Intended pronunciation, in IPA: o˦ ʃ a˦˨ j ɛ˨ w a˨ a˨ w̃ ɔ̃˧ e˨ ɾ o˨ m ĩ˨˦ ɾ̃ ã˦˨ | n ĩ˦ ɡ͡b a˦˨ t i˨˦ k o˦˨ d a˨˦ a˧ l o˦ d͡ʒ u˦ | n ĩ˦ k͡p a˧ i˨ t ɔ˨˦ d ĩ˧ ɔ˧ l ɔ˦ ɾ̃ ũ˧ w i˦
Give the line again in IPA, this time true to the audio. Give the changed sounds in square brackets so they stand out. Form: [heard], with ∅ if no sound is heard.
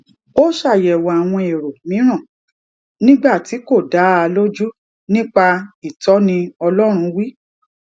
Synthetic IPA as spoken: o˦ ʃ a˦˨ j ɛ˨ w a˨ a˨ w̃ ɔ̃˧ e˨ ɾ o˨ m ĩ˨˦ ɾ̃ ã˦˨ | n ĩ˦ ɡ͡b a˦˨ t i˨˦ k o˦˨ d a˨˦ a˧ l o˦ d͡ʒ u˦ | n ĩ˦ k͡p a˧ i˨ t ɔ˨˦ [n] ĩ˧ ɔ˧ l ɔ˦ ɾ̃ ũ˧ w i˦